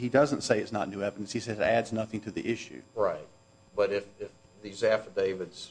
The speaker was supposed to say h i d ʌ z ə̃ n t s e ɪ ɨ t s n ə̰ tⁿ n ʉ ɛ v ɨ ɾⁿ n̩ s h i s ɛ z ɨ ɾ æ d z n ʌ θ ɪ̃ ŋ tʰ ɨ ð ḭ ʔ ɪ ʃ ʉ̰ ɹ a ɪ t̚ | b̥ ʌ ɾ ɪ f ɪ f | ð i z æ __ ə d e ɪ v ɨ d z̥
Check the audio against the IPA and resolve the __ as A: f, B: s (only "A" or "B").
A